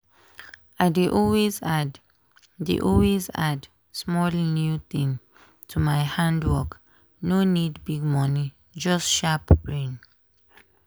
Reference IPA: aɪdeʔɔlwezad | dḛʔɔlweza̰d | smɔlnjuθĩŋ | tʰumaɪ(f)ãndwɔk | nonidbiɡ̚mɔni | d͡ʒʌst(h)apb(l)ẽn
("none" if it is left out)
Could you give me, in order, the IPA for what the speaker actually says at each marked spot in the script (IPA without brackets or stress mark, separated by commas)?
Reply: h, ʃ, ɹ